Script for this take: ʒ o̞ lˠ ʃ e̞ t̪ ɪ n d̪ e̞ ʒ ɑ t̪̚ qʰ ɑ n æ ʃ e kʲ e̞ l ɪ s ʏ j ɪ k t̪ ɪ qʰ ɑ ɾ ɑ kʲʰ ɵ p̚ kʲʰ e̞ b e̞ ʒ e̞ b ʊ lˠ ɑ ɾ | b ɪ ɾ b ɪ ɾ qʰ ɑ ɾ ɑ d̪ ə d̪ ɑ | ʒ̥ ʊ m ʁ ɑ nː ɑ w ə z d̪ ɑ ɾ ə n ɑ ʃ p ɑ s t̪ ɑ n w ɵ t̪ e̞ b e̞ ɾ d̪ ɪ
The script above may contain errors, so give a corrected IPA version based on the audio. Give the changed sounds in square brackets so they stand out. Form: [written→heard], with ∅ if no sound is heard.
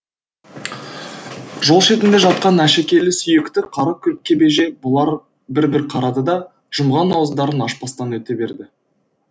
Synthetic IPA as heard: ʒ o̞ lˠ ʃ e̞ t̪ ɪ n d̪ e̞ ʒ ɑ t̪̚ [qʰ→q] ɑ n æ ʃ e kʲ e̞ l ɪ s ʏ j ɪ k t̪ ɪ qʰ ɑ ɾ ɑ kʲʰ ɵ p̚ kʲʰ e̞ b e̞ ʒ e̞ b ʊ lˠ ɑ ɾ | b ɪ ɾ b ɪ ɾ qʰ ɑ ɾ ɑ d̪ ə d̪ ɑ | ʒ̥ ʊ m ʁ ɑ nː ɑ w ə z d̪ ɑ ɾ ə n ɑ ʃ p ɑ s t̪ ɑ n w ɵ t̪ e̞ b e̞ ɾ d̪ ɪ